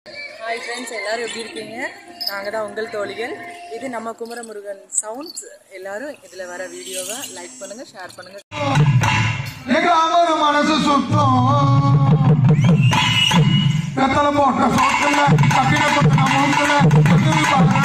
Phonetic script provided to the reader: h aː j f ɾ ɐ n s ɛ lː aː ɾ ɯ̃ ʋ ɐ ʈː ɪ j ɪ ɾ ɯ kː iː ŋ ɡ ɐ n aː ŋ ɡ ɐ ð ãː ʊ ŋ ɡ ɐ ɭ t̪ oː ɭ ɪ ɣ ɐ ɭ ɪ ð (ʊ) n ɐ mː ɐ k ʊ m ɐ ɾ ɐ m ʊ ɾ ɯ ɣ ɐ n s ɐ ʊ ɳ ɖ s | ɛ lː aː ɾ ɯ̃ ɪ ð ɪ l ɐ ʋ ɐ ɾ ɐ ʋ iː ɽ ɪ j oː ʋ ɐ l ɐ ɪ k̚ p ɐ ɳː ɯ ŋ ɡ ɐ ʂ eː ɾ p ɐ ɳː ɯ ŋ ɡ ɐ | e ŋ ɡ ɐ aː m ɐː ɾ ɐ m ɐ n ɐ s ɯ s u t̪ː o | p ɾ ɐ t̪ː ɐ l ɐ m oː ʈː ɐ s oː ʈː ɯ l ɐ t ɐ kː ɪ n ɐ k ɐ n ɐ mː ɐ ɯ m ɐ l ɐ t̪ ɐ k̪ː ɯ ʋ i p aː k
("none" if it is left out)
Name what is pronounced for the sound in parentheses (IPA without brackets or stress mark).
ɯ